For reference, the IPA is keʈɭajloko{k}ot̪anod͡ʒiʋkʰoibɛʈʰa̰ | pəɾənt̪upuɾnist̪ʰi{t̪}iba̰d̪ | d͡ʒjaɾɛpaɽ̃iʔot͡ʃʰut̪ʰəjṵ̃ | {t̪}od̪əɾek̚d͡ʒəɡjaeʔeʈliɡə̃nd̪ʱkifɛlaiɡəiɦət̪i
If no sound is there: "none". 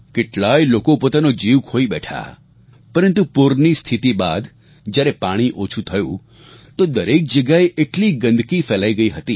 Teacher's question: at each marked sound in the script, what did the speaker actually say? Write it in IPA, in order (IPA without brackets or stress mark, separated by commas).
p, t̪, t̪